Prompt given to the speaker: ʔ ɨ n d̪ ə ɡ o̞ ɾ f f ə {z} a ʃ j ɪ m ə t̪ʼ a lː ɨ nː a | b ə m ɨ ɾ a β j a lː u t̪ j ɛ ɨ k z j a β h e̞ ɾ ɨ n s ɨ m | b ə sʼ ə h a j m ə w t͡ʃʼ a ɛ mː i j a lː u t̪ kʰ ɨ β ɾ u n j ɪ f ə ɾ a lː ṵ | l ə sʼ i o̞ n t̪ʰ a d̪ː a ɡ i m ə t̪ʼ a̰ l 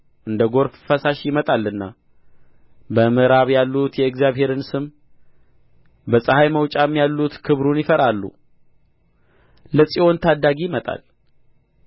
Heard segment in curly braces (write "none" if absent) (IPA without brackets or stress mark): s